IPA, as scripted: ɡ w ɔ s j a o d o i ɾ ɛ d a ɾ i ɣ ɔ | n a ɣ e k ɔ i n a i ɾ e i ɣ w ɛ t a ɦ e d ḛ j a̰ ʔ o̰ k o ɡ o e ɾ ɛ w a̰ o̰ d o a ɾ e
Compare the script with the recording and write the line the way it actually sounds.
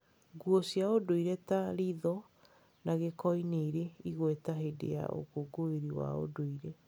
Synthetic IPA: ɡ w ɔ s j a o d o i ɾ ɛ t a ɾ i ð ɔ | n a ɣ e k ɔ i n e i ɾ e i ɣ w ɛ t a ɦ e d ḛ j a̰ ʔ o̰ k o ɡ o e ɾ i w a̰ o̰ d o i ɾ e